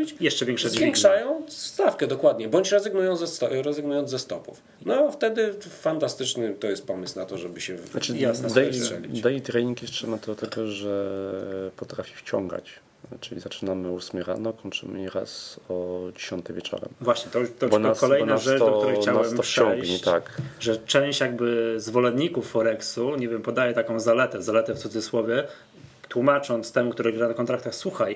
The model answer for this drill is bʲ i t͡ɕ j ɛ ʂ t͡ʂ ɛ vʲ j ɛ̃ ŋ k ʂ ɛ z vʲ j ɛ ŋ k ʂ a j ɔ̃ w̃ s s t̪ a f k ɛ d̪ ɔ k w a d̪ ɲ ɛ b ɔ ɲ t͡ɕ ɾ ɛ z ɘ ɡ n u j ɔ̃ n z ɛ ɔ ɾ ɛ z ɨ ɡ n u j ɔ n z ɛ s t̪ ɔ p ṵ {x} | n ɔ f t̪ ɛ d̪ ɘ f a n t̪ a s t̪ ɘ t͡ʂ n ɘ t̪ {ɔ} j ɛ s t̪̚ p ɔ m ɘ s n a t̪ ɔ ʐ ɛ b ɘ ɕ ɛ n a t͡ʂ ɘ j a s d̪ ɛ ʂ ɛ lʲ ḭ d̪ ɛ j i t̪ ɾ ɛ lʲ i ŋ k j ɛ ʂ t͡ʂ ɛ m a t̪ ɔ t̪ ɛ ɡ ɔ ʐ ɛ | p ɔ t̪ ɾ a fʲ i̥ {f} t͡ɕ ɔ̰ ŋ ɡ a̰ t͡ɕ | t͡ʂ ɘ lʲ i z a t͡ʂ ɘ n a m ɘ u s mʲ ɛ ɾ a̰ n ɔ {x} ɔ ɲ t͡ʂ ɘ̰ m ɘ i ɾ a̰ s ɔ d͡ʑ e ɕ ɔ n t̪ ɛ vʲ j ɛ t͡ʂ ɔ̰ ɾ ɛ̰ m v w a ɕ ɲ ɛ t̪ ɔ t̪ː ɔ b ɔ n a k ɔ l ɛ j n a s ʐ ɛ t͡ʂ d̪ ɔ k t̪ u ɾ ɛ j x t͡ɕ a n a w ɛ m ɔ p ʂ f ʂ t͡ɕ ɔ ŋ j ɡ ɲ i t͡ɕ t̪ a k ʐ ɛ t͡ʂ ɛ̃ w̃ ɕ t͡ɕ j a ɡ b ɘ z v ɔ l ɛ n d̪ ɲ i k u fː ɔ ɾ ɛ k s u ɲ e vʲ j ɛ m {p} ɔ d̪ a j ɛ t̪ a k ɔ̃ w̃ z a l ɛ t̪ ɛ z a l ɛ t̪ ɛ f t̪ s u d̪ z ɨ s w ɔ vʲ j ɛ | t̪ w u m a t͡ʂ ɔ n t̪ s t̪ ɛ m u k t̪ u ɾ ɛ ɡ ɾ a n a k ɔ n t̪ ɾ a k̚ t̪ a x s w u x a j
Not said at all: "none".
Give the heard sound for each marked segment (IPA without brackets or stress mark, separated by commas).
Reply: f, ɔ, f, k, p